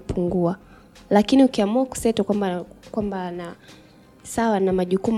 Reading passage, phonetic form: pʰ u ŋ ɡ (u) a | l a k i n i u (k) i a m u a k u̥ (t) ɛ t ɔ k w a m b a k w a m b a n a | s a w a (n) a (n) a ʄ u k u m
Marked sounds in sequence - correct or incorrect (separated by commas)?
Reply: correct, correct, incorrect, correct, incorrect